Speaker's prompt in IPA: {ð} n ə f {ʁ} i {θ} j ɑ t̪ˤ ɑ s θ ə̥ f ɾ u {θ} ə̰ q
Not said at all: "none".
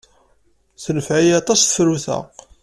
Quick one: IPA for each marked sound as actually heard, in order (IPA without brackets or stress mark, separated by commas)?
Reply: θ, ʕ, none, θ